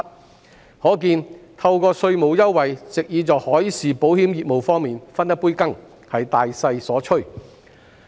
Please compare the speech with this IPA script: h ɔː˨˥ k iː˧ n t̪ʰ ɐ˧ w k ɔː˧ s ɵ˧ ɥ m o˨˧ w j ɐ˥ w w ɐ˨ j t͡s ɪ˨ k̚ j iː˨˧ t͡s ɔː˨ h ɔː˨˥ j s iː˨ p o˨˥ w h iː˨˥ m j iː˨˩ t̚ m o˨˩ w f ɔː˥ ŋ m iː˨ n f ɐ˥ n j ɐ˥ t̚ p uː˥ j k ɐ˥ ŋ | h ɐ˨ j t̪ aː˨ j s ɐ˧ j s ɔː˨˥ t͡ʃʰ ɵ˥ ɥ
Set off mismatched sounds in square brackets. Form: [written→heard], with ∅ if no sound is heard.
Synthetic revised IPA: h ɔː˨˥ k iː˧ n t̪ʰ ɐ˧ w k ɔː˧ s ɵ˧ ɥ m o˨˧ w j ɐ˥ w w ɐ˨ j t͡s ɪ˨ k̚ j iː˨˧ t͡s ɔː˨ h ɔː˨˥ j s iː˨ p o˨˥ w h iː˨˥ m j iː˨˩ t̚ m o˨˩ w f ɔː˥ ŋ m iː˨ n f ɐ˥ n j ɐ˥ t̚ p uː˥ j k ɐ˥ ŋ | h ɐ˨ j t̪ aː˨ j s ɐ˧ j s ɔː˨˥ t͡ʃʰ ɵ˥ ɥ